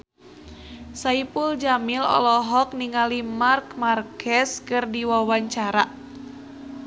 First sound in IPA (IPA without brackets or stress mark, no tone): s